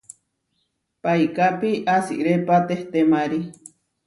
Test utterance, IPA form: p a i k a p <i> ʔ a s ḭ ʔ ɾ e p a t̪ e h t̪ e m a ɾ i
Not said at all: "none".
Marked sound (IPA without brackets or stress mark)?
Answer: i